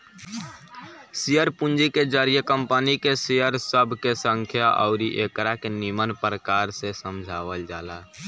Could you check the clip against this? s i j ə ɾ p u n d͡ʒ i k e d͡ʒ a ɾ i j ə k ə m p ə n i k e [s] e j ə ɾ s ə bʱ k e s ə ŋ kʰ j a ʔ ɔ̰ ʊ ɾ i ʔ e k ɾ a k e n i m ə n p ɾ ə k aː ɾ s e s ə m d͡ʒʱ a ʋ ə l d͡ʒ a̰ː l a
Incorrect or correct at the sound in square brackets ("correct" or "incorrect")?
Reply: correct